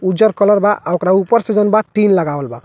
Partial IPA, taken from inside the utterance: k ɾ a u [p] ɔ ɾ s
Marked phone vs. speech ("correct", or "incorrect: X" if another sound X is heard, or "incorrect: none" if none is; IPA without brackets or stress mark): correct